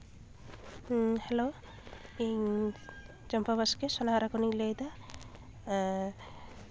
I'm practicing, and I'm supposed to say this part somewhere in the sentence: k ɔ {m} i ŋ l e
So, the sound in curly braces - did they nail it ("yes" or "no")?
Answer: no